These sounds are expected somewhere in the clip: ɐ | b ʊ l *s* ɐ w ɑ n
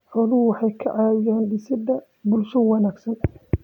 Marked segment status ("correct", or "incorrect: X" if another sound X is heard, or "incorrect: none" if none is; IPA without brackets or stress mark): incorrect: ʃ